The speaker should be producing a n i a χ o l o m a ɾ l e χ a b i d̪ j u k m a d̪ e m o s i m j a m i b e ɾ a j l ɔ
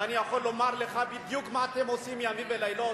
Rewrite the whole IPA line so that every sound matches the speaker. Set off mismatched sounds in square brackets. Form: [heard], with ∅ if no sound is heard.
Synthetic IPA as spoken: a n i a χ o l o m a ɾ l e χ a b i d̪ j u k m a [t̪] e m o s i m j a m i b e [l] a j l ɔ